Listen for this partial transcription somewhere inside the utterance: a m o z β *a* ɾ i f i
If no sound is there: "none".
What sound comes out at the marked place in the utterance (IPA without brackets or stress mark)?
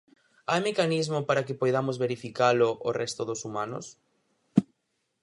e